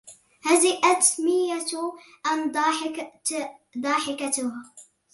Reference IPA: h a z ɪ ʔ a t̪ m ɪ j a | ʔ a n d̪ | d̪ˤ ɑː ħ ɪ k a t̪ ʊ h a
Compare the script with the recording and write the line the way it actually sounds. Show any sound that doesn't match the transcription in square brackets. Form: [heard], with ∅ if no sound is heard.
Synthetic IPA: h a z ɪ ʔ a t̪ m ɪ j a | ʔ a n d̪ | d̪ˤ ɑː ħ ɪ k a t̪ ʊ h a